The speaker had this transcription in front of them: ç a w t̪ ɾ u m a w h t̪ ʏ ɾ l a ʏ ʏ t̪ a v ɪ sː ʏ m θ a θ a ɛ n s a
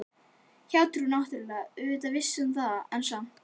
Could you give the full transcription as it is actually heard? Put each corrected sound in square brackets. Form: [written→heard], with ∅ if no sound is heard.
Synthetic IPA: ç a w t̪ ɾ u [m→n] a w h t̪ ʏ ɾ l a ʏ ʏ t̪ a v ɪ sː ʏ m θ a [θ→ð] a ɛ n s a